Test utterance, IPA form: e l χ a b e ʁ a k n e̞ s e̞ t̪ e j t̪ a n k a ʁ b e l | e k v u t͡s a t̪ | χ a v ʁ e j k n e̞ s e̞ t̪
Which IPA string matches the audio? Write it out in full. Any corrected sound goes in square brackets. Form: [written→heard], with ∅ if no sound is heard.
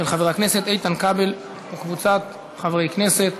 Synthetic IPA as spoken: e l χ a [b→v] e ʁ a k n e̞ s e̞ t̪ e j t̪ a n k a [ʁ→∅] b e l | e k v u t͡s a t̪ | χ a v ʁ e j k n e̞ s e̞ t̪